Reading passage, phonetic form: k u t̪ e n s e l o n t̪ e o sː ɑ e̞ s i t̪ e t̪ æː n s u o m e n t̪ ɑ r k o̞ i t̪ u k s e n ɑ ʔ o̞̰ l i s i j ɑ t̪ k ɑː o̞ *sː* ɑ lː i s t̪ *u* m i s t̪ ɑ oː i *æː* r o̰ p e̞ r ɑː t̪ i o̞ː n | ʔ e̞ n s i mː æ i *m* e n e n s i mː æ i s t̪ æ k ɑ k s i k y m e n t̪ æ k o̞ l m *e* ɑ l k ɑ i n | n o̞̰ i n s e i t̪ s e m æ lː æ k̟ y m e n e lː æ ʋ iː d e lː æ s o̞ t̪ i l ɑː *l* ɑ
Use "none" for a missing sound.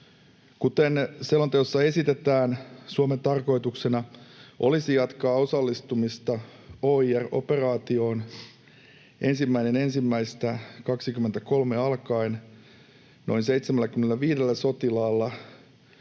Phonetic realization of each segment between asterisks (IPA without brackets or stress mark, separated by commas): s, u, æ, n, e, lː